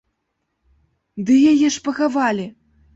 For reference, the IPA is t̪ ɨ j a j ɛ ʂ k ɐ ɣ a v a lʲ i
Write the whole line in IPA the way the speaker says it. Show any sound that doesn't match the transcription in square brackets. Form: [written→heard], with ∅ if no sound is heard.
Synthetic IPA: [t̪→d̪] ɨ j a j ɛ ʂ [k→p] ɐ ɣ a v a lʲ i